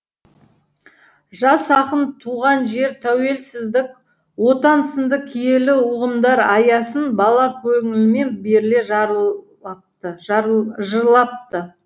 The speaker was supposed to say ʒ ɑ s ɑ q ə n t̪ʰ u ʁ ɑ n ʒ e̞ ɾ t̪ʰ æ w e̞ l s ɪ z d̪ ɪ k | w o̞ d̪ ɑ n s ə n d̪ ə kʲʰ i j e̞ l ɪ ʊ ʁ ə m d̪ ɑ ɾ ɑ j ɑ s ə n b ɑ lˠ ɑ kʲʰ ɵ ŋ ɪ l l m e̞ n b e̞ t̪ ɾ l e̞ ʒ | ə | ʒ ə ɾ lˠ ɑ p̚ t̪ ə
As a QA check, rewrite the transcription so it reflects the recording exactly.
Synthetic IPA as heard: ʒ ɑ s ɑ q ə n t̪ʰ u ʁ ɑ n ʒ e̞ ɾ t̪ʰ æ w e̞ l s ɪ z d̪ ɪ k | w o̞ t̪ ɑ n s ə n d̪ ə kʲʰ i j e̞ l ɪ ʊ ʁ ə m d̪ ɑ ɾ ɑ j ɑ s ə n b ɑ lˠ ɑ kʲʰ ɵ ŋ ɪ l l m e̞ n b e̞ ɾ l e̞ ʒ | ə | ʒ ə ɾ lˠ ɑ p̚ t̪ ə